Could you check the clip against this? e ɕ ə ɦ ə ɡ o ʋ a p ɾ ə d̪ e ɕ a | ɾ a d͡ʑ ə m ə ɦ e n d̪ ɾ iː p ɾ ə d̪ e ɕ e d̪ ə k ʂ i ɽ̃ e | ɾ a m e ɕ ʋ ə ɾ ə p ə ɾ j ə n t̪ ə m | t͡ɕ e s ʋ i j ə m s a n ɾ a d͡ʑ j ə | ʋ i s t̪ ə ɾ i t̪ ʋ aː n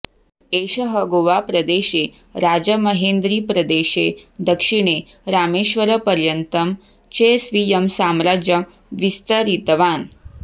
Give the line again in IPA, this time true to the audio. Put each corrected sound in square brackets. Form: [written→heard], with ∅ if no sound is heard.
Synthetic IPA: e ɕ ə ɦ ə ɡ o ʋ a p ɾ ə d̪ e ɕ [a→e] | ɾ a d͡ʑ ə m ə ɦ e n d̪ ɾ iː p ɾ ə d̪ e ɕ e d̪ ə k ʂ i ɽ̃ e | ɾ a m e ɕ ʋ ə ɾ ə p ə ɾ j ə n t̪ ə m | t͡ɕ e s ʋ i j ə m s a [n→m] ɾ a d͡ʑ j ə | ʋ i s t̪ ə ɾ i t̪ ʋ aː n